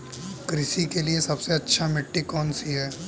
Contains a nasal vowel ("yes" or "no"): no